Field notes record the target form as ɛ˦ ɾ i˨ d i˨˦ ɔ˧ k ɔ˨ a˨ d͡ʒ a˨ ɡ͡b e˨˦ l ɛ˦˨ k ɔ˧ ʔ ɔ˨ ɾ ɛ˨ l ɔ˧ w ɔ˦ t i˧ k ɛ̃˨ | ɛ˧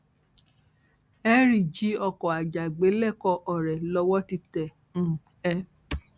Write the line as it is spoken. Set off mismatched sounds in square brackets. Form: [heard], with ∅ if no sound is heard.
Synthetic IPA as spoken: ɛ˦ ɾ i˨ [d͡ʒ] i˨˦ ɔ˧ k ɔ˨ a˨ d͡ʒ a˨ ɡ͡b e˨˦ l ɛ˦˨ k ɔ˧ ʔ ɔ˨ ɾ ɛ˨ l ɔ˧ w ɔ˦ t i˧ [t] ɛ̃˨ | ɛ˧

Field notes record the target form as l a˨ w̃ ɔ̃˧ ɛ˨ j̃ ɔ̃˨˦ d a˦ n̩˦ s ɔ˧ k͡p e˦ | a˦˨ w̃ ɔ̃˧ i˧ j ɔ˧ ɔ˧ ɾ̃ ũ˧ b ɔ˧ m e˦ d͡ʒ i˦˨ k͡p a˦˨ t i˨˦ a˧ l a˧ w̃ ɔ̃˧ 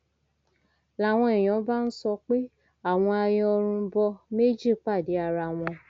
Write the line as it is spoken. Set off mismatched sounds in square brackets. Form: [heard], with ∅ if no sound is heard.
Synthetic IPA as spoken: l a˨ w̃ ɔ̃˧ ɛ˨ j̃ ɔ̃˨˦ [b] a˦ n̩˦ s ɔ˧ k͡p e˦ | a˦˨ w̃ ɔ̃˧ [a˧] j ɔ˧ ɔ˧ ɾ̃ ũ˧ b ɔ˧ m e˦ d͡ʒ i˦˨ k͡p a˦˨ [d] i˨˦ a˧ [ɾ] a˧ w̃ ɔ̃˧

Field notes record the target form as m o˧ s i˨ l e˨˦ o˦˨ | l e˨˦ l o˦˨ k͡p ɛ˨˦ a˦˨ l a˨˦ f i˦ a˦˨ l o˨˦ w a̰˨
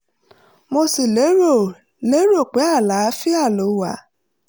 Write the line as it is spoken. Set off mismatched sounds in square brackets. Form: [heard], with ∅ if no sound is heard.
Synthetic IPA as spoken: m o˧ s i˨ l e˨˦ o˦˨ | l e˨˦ [ɾ] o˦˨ k͡p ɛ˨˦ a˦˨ l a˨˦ f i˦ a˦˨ l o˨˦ w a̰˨

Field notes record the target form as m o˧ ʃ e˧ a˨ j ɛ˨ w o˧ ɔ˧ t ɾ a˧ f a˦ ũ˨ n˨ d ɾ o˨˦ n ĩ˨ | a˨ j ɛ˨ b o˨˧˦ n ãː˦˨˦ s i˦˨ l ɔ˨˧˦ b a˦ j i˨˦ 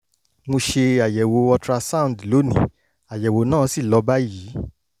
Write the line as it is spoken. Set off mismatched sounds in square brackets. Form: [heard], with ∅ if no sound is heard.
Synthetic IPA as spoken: m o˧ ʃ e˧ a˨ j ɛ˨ w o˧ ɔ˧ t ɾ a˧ [s] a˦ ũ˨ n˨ d [l] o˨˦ n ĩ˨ | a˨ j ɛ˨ [w] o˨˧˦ n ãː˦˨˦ s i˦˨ l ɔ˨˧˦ b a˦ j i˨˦

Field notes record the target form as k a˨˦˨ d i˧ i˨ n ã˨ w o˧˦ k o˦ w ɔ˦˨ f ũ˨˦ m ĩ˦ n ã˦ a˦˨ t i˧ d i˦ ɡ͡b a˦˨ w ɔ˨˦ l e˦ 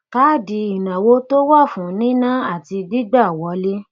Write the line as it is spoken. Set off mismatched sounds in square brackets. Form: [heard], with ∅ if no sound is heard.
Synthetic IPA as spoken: k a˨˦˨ d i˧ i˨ n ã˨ w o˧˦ [t] o˦ w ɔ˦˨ f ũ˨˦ [n] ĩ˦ n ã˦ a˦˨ t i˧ d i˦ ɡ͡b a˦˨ w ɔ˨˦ l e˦

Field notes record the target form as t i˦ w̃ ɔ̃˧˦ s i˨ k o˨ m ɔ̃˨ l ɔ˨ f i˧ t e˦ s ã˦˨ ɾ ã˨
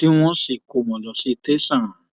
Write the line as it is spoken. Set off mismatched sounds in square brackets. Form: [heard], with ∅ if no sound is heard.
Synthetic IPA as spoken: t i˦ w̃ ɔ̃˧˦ s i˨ k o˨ m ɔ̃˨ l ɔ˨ [s] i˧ t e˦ s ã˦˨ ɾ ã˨

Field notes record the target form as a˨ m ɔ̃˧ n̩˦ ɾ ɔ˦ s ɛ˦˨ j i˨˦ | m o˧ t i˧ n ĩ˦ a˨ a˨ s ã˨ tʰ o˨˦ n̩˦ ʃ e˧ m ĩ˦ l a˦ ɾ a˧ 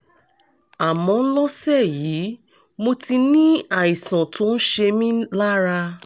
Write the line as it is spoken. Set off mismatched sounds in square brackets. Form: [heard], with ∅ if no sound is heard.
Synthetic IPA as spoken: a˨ m ɔ̃˧ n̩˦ [l] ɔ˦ s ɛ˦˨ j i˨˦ | m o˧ t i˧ n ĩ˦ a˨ [i˨] s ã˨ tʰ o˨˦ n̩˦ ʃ e˧ m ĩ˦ l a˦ ɾ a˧

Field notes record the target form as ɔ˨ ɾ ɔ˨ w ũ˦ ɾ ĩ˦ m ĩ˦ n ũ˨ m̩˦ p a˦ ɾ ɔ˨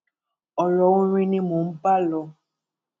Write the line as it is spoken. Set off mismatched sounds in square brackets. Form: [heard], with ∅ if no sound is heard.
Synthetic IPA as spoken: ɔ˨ [l] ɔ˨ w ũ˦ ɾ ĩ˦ [n] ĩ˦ [m] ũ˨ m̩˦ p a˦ [l] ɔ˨

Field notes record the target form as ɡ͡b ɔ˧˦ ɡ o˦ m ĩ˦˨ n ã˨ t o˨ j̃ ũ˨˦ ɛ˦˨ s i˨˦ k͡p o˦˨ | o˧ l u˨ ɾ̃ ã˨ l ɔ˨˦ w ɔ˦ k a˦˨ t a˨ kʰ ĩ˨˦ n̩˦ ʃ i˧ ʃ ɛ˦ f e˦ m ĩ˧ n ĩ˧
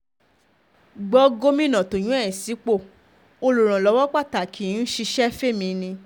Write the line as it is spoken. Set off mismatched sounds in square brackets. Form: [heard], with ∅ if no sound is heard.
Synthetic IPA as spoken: ɡ͡b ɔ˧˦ ɡ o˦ m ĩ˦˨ n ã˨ t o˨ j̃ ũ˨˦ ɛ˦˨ s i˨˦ k͡p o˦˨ | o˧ l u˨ ɾ̃ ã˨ l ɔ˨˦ w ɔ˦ [k͡p] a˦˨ t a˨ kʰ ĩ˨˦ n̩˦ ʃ i˧ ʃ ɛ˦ f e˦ m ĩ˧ n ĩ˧

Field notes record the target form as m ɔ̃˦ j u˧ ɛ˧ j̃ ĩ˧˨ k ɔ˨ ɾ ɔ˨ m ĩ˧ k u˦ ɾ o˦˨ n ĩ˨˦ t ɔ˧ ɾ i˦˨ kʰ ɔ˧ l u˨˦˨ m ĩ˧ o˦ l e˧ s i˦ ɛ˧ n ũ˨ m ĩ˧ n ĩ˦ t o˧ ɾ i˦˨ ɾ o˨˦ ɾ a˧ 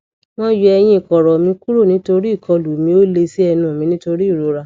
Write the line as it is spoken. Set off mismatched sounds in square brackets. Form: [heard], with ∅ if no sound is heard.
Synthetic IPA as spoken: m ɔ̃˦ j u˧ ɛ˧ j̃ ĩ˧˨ k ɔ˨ ɾ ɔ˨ m ĩ˧ k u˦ ɾ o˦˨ n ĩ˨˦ t [o˧] ɾ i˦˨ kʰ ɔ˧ l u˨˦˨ m ĩ˧ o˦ l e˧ s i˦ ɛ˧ n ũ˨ m ĩ˧ n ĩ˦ t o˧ ɾ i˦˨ ɾ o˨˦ ɾ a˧

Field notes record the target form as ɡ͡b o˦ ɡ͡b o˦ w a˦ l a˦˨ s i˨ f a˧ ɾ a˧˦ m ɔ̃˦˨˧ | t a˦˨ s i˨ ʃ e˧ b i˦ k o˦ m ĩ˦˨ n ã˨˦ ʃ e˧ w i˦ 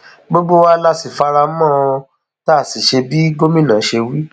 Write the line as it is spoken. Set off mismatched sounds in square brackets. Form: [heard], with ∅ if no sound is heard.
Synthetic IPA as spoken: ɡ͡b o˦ ɡ͡b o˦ w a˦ l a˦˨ s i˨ f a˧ ɾ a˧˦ m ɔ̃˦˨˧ | t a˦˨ s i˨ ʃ e˧ b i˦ [ɡ] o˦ m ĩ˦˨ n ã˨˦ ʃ e˧ w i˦

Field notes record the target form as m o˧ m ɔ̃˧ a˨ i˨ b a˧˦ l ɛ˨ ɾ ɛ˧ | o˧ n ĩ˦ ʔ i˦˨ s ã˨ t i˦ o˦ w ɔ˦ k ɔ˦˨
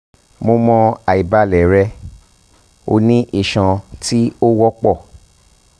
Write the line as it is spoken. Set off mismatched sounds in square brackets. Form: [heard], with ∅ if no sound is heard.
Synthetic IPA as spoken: m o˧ m ɔ̃˧ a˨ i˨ b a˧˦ l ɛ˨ ɾ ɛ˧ | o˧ n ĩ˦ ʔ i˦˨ [ʃ] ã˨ t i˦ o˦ w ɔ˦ [k͡p] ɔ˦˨

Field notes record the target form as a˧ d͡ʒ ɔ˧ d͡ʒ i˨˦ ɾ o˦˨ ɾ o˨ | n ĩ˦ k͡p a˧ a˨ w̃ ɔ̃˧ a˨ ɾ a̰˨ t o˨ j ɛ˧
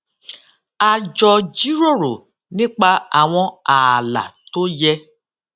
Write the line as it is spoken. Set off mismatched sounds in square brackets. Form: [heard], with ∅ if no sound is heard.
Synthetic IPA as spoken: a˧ d͡ʒ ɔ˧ d͡ʒ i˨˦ ɾ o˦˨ ɾ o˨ | n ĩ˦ k͡p a˧ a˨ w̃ ɔ̃˧ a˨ [l] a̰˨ t [o˦] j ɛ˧

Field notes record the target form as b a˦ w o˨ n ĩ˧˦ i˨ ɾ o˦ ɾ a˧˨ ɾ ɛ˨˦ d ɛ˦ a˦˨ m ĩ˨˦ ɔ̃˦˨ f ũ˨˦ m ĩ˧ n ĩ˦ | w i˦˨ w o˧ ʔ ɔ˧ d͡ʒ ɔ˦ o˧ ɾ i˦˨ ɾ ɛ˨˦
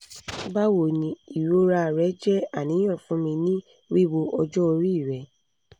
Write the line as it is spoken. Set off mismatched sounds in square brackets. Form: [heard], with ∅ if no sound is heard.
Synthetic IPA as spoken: b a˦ w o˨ n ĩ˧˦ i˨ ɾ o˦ ɾ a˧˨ ɾ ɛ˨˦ [d͡ʒ] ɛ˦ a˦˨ [n] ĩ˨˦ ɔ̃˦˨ f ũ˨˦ m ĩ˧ n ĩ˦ | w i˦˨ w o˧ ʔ ɔ˧ d͡ʒ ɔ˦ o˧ ɾ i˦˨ ɾ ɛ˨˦

